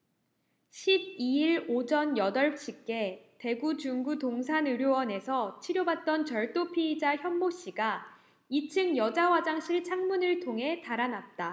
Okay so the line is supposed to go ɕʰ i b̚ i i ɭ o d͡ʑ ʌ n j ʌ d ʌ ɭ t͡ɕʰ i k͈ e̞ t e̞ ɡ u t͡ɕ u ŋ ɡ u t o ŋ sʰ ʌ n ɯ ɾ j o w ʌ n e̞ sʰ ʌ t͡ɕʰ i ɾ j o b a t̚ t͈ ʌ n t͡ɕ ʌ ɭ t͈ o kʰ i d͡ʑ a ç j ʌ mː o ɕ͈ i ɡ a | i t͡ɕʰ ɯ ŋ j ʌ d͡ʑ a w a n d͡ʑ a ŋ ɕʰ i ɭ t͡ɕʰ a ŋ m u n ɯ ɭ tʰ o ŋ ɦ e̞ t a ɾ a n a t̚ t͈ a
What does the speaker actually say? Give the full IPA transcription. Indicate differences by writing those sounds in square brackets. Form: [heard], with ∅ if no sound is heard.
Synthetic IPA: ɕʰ i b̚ i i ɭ o d͡ʑ ʌ n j ʌ d ʌ ɭ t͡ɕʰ i k͈ e̞ t e̞ ɡ u t͡ɕ u ŋ ɡ u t o ŋ sʰ [a] n ɯ ɾ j o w ʌ n e̞ sʰ ʌ t͡ɕʰ i ɾ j o b a t̚ t͈ ʌ n t͡ɕ ʌ ɭ t͈ o [pʰ] i d͡ʑ a ç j ʌ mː o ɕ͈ i ɡ a | i t͡ɕʰ ɯ ŋ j ʌ d͡ʑ a w a [∅] d͡ʑ a ŋ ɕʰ i ɭ t͡ɕʰ a ŋ m u n ɯ ɭ tʰ o ŋ ɦ e̞ t a ɾ a n a t̚ t͈ a

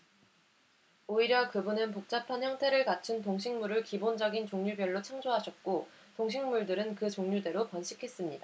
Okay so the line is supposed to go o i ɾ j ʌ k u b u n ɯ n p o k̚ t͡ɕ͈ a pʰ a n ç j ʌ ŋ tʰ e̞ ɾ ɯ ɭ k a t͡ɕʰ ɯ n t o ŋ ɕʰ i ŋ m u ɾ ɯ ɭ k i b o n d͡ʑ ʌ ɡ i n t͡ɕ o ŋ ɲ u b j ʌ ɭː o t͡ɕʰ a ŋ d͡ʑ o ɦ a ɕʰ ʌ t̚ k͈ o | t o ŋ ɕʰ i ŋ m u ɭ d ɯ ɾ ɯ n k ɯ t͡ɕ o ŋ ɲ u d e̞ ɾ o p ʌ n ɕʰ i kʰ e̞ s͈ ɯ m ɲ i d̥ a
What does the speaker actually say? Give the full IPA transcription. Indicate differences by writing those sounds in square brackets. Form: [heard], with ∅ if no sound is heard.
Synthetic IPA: o i ɾ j ʌ k [ɯ] b u n ɯ n p o k̚ t͡ɕ͈ a pʰ a n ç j ʌ ŋ tʰ e̞ ɾ ɯ ɭ k a t͡ɕʰ ɯ n t o ŋ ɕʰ i ŋ m u ɾ ɯ ɭ k i b o n d͡ʑ ʌ ɡ i n t͡ɕ o ŋ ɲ u b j ʌ ɭː o t͡ɕʰ a ŋ d͡ʑ o ɦ a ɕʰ ʌ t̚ k͈ o | t o ŋ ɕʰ i ŋ m u ɭ d ɯ ɾ ɯ n k ɯ t͡ɕ o ŋ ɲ u d e̞ ɾ o p ʌ n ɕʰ i kʰ e̞ s͈ ɯ m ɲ i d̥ a

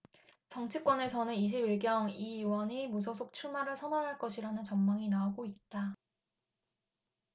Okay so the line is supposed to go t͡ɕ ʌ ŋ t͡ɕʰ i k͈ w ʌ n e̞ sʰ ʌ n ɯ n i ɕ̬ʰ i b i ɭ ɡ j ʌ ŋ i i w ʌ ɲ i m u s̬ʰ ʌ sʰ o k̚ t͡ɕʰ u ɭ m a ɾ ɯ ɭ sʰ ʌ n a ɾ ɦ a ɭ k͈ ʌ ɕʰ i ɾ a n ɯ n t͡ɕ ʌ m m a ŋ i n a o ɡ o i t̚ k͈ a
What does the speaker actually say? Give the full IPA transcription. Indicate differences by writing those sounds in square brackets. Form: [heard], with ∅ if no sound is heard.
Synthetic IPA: t͡ɕ ʌ ŋ t͡ɕʰ i k͈ w ʌ n e̞ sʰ ʌ n ɯ n i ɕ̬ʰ i b i ɭ ɡ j ʌ ŋ i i w ʌ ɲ i m u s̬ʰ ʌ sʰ o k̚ t͡ɕʰ u ɭ m a ɾ ɯ ɭ sʰ ʌ n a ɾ ɦ a ɭ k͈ ʌ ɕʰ i ɾ a n ɯ n t͡ɕ ʌ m m a ŋ i n a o ɡ o i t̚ [t͈] a

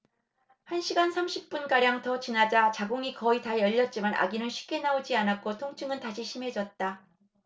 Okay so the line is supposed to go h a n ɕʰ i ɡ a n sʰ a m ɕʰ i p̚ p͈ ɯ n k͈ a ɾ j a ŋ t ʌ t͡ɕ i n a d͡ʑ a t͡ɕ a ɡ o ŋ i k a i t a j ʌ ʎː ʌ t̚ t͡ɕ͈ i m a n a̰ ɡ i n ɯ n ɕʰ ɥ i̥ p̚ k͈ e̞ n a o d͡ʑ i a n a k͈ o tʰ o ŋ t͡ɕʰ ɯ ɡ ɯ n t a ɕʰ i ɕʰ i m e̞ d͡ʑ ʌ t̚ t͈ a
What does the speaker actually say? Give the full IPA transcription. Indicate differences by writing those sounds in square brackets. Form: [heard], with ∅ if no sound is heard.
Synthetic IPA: h a n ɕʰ i ɡ a n sʰ a m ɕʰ i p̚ p͈ [u] n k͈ a ɾ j a ŋ t ʌ t͡ɕ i n a d͡ʑ a t͡ɕ a ɡ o ŋ i k [ʌ] i t a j ʌ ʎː ʌ t̚ t͡ɕ͈ i m a n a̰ ɡ i n ɯ n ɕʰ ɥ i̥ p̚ k͈ e̞ n a o d͡ʑ i a n a k͈ o tʰ o ŋ t͡ɕʰ ɯ [ŋ] ɯ n t a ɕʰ i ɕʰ i m e̞ d͡ʑ ʌ t̚ t͈ a

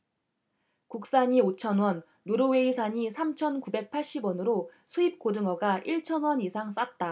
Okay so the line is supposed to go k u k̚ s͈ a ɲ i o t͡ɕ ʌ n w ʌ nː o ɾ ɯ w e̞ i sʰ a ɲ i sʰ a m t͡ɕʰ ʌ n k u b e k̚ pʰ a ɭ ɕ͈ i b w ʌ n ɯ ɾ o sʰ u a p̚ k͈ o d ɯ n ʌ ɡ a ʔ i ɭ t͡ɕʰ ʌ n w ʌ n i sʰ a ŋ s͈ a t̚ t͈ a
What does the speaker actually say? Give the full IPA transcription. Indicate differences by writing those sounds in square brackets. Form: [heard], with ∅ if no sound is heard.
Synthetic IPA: k u k̚ s͈ a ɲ i o [t͡ɕʰ] ʌ n w ʌ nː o ɾ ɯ w e̞ i sʰ a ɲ i sʰ a m t͡ɕʰ ʌ n k u b e k̚ pʰ a ɭ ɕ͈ i b w ʌ n ɯ ɾ o sʰ u [i] p̚ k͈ o d ɯ [ŋ] ʌ ɡ a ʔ i ɭ t͡ɕʰ ʌ n w ʌ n i sʰ a ŋ s͈ a t̚ t͈ a

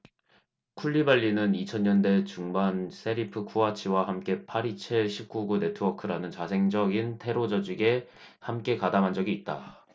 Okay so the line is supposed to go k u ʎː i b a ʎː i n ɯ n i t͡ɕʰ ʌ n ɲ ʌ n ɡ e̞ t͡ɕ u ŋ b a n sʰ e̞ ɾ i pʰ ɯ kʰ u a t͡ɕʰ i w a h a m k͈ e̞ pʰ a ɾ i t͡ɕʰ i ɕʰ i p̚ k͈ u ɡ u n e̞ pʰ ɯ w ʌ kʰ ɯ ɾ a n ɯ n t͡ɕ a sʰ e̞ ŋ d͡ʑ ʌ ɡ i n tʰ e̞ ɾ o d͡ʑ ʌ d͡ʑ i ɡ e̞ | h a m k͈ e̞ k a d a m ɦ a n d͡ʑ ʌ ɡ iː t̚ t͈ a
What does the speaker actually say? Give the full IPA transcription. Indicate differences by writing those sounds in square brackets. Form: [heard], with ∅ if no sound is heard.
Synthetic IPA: [kʰ] u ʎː i b a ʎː i n ɯ n i t͡ɕʰ ʌ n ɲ ʌ n [d] e̞ t͡ɕ u ŋ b a n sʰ e̞ ɾ i pʰ ɯ kʰ u a t͡ɕʰ i w a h a m k͈ e̞ pʰ a ɾ i t͡ɕʰ [e] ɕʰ i p̚ k͈ u ɡ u n e̞ [tʰ] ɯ w ʌ kʰ ɯ ɾ a n ɯ n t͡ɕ a sʰ e̞ ŋ d͡ʑ ʌ ɡ i n tʰ e̞ ɾ o d͡ʑ ʌ d͡ʑ i ɡ e̞ | h a m k͈ e̞ k a d a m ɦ a n d͡ʑ ʌ ɡ iː t̚ t͈ a

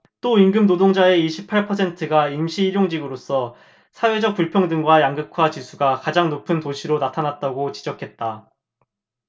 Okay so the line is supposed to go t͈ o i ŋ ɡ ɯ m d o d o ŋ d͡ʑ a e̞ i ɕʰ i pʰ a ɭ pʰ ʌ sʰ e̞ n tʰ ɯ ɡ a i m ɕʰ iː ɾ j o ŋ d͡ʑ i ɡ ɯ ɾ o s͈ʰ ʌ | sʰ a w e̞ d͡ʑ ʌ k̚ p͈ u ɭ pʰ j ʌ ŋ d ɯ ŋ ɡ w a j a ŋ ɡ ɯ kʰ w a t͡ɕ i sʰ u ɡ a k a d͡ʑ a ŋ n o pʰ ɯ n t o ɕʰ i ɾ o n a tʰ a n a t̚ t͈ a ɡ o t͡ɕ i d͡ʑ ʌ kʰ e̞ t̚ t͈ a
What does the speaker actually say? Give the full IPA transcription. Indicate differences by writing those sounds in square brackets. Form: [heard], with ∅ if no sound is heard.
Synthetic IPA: t͈ o i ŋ ɡ ɯ m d o d o ŋ d͡ʑ a e̞ i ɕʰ i pʰ a ɭ pʰ ʌ sʰ e̞ n tʰ ɯ ɡ a i m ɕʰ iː ɾ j o ŋ d͡ʑ i ɡ ɯ ɾ o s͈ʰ ʌ | sʰ a w e̞ d͡ʑ ʌ k̚ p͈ u ɭ pʰ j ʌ ŋ d ɯ ŋ ɡ w a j a ŋ ɡ ɯ kʰ w a t͡ɕ i sʰ u ɡ a k a d͡ʑ a ŋ n o pʰ ɯ n t o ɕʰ i ɾ o n a tʰ a n a t̚ t͈ a ɡ o t͡ɕ i d͡ʑ ʌ kʰ e̞ t̚ t͈ a

